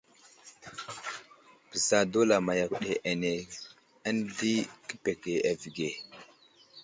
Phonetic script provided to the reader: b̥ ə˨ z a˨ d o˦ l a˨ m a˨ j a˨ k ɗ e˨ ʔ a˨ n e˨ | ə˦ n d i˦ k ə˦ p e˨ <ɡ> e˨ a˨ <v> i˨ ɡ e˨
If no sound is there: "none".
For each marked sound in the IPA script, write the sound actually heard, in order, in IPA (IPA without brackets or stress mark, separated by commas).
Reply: k, v